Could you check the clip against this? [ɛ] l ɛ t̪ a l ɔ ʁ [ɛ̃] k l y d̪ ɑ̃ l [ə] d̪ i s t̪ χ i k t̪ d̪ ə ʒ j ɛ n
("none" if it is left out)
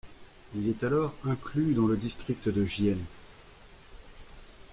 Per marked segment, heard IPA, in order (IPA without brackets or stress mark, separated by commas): i, ɛ̃, ə